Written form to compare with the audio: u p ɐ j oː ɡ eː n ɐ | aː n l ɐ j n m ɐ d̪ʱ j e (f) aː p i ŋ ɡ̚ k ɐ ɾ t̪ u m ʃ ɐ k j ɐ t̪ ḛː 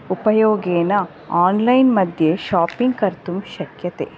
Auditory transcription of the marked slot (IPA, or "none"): ʃ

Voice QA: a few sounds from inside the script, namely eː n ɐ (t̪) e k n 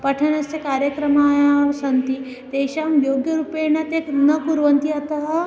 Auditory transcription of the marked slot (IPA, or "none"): t̪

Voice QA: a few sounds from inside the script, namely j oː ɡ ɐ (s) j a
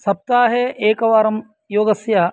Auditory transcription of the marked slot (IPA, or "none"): s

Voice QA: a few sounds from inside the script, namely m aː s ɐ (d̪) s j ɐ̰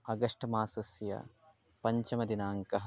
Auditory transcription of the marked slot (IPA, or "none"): none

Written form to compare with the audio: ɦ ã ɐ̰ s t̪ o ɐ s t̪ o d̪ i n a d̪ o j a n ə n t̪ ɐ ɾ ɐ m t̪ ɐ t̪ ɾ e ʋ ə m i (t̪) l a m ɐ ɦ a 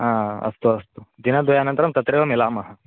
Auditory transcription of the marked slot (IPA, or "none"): none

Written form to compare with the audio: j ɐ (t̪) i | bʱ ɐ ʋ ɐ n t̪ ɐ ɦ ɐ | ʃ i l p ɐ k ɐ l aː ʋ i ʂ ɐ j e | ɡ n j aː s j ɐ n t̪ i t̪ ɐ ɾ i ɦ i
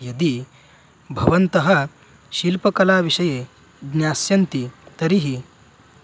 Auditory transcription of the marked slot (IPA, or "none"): d̪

